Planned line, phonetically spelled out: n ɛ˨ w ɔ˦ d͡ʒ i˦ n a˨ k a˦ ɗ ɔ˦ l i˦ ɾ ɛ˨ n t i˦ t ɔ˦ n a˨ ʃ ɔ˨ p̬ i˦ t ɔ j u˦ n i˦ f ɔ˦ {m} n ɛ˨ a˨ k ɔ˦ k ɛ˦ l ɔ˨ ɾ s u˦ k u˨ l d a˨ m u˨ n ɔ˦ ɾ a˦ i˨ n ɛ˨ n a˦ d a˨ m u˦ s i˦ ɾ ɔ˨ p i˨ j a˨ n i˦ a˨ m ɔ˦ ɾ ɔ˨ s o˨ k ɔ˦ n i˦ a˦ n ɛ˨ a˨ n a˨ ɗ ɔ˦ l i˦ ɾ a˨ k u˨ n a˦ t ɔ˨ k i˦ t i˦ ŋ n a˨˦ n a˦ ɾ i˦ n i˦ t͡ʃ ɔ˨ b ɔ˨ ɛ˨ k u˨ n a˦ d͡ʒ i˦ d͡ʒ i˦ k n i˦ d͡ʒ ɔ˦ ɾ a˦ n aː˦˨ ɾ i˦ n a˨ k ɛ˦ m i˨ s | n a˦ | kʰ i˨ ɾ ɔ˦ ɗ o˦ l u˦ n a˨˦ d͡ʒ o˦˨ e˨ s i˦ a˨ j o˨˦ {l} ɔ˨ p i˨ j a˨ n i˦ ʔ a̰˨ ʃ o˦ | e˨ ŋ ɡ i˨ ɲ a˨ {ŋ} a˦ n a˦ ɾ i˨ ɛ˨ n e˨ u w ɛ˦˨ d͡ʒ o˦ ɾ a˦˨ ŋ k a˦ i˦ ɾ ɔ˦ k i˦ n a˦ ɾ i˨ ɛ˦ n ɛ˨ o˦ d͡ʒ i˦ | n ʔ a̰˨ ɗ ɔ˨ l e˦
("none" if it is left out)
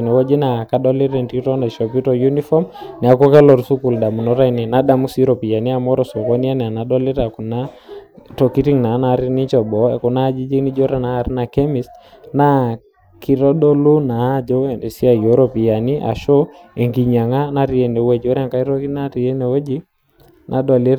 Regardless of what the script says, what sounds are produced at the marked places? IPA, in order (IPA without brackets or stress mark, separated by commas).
m, ɾ, ŋ